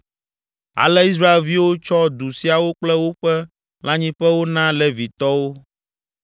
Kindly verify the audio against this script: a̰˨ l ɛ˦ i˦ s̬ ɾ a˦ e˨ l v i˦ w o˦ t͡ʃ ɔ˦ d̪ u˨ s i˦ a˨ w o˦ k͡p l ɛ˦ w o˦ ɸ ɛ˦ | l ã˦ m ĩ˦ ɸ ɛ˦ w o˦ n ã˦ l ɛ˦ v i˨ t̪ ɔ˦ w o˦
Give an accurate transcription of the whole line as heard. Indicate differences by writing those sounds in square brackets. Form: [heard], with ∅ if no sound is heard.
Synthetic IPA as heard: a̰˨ l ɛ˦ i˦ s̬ ɾ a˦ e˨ l v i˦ w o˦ t͡ʃ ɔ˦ d̪ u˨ s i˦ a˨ w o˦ k͡p l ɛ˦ w o˦ ɸ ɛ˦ | l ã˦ [ɲ] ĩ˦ ɸ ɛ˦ w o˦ n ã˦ l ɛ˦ v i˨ t̪ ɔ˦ w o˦